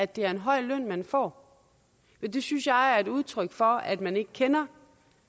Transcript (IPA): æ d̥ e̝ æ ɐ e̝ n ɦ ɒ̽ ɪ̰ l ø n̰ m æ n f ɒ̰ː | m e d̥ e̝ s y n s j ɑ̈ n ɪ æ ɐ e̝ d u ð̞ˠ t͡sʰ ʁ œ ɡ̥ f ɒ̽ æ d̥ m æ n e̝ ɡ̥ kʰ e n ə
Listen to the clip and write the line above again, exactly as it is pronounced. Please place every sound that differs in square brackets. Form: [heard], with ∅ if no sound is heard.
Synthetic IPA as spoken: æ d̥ e̝ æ ɐ e̝ n ɦ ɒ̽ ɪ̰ l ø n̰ m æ n f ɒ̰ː | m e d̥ e̝ s y n s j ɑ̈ [∅] ɪ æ ɐ e̝ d u ð̞ˠ t͡sʰ ʁ œ ɡ̥ f ɒ̽ æ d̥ m æ n e̝ ɡ̥ kʰ e n [ɐ]